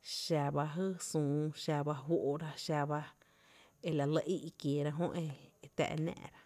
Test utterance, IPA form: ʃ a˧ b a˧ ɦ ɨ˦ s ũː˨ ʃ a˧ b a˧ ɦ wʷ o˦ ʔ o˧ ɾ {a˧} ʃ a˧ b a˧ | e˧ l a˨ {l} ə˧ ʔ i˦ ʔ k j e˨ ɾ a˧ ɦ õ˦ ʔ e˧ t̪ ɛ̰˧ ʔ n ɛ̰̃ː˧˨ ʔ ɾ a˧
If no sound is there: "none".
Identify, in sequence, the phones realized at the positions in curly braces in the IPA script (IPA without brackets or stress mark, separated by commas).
a˧, l